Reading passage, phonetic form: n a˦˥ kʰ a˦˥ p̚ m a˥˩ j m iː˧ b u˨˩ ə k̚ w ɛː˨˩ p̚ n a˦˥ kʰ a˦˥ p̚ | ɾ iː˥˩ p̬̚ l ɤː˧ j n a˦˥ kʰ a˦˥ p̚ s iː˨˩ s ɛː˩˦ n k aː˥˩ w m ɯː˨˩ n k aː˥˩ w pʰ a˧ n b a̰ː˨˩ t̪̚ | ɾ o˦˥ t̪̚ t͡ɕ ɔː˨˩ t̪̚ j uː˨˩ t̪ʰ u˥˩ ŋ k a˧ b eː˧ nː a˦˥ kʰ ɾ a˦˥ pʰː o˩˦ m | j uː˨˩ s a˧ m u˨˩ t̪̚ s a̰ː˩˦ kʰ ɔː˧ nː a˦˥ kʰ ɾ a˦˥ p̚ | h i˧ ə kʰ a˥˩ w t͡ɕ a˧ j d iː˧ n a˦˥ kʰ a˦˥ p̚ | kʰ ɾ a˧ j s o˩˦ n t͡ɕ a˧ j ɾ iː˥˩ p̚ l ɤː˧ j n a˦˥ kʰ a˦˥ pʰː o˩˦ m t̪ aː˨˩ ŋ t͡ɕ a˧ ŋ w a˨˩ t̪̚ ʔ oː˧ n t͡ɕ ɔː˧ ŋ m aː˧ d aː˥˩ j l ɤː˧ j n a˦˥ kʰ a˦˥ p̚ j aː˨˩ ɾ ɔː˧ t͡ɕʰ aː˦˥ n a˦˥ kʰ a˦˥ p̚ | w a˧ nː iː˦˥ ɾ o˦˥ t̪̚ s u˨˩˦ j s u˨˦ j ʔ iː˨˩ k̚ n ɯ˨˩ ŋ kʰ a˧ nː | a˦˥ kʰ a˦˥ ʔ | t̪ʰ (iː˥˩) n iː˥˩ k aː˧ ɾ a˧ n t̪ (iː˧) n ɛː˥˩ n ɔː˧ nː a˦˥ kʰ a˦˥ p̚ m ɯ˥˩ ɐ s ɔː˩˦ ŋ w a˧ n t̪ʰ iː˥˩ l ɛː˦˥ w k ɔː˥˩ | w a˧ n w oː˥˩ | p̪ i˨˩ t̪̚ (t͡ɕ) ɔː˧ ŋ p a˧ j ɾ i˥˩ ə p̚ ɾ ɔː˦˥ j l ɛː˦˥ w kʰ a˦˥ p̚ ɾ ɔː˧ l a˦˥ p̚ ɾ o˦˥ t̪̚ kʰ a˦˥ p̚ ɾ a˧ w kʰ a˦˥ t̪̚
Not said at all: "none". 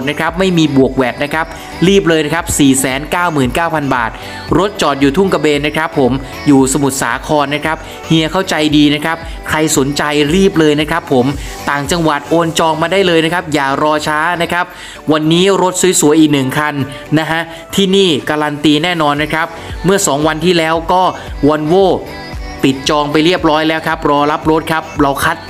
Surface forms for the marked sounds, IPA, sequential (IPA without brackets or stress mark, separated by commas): iː˥˩, iː˧, t͡ɕ